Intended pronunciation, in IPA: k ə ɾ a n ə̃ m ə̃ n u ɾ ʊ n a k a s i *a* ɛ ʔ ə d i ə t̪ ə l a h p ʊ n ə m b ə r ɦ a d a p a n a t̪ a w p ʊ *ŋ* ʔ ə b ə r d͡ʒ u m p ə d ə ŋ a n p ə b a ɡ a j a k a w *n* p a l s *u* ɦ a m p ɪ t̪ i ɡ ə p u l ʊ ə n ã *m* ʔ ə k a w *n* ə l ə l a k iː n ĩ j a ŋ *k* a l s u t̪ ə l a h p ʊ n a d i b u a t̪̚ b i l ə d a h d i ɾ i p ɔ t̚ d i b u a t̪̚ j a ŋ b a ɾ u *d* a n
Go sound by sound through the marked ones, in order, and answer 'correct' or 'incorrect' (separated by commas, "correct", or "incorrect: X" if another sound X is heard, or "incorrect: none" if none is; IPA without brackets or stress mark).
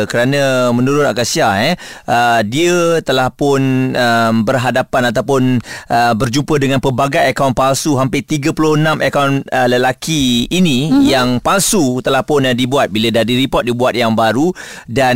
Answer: correct, incorrect: n, correct, correct, correct, correct, incorrect: p, correct